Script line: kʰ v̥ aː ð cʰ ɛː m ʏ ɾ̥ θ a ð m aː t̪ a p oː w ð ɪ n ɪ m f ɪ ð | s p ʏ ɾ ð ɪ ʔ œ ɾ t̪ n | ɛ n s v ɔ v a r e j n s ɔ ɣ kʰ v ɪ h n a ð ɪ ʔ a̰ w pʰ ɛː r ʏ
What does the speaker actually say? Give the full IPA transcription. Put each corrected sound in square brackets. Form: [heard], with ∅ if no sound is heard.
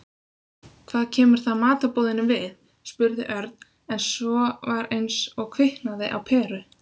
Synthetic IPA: kʰ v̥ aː ð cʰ ɛː m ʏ ɾ̥ θ a ð m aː t̪ a p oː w ð ɪ n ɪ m [v] ɪ ð | s p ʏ ɾ ð ɪ ʔ œ ɾ t̪ n | ɛ n s v ɔ v a [ɾ] e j n s ɔ ɣ kʰ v ɪ h n a ð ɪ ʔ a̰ w pʰ ɛː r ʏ